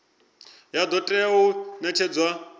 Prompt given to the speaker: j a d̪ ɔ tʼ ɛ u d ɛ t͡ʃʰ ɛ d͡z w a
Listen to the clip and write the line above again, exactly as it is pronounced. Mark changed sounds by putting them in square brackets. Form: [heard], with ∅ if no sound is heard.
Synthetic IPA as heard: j a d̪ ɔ tʼ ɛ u [n] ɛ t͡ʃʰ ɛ d͡z w a